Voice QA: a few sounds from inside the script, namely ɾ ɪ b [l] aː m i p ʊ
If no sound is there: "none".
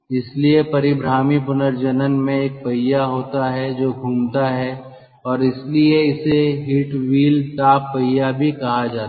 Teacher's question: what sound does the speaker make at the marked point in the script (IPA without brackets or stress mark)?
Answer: ɾ